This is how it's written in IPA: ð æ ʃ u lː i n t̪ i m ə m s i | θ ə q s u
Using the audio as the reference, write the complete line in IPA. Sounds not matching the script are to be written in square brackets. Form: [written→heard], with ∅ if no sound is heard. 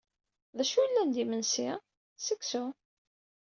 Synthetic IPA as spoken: ð æ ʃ u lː [i→æ] n [t̪→d̪] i m ə [m→n] s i | [θ→s] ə [q→k] s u